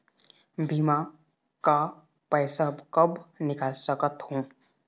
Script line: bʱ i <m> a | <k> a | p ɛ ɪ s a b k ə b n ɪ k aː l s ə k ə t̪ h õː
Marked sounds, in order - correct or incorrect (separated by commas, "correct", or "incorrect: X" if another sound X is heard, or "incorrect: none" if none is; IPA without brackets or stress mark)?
correct, correct